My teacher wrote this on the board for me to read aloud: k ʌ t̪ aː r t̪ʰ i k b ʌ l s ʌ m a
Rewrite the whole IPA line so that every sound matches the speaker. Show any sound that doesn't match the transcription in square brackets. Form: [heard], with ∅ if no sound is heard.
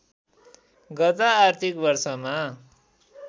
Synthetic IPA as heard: [ɡ] ʌ t̪ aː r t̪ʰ i k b ʌ [r] s ʌ m a